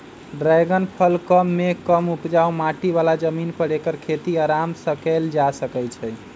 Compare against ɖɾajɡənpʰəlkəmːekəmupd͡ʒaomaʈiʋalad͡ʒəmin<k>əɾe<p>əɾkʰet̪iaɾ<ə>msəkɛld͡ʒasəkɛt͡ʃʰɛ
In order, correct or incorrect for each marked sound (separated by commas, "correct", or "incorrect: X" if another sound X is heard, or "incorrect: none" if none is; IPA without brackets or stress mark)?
incorrect: p, incorrect: k, incorrect: a